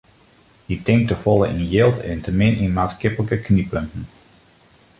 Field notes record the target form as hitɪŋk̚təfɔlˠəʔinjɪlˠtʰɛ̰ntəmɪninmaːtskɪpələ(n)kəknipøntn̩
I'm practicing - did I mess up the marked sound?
yes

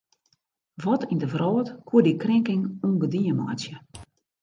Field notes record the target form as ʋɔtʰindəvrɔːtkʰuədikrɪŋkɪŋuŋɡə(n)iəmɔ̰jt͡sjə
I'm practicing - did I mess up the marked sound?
yes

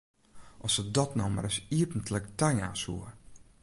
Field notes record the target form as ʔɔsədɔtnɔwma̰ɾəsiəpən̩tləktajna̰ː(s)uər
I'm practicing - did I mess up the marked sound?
no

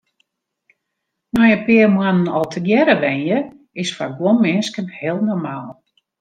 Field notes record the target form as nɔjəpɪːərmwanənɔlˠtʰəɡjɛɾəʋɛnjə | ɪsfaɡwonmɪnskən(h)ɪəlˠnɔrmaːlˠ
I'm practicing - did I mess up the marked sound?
no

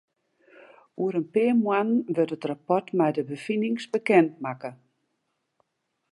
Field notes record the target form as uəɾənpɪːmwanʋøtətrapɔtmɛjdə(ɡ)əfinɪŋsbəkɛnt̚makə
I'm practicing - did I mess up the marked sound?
yes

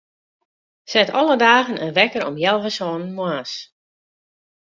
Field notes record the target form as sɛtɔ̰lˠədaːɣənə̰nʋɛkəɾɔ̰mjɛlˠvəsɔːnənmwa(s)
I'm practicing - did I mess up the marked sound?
no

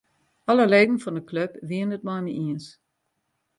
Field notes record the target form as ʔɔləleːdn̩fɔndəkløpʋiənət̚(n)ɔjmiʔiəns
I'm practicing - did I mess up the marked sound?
yes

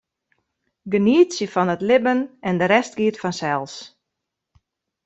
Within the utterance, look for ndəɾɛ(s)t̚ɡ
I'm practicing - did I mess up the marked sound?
no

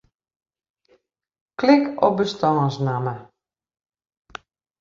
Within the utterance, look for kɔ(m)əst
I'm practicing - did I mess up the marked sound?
yes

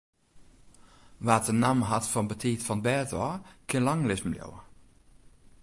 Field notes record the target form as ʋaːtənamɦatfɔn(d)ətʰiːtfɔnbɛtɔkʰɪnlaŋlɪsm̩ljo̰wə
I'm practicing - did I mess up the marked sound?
yes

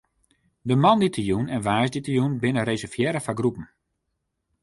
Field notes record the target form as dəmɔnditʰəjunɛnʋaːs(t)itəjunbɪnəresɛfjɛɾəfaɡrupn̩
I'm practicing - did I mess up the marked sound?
yes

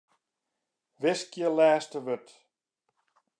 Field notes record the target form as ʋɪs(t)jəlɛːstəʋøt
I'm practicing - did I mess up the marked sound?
yes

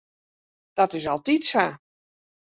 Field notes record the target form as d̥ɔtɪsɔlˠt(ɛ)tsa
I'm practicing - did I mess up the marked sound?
yes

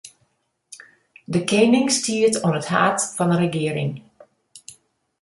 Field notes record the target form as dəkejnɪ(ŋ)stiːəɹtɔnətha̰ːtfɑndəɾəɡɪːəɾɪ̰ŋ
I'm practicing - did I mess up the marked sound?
no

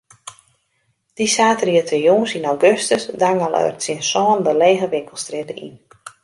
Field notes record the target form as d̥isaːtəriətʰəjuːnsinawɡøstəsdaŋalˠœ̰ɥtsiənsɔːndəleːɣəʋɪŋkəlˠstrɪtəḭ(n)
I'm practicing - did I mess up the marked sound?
no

